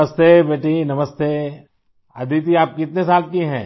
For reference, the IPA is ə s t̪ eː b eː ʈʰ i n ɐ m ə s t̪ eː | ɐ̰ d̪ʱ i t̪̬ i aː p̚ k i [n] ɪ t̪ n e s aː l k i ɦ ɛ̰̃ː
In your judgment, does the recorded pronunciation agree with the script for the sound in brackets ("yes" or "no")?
no